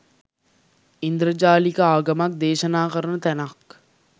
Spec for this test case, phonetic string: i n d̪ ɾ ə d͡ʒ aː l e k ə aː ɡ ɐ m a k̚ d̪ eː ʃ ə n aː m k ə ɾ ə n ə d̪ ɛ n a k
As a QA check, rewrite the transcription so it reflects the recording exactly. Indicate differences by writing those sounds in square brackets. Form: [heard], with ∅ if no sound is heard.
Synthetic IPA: i n d̪ ɾ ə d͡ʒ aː l [i] k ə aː ɡ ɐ m a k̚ d̪ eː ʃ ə n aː [∅] k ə ɾ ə n ə [t̪] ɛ n a k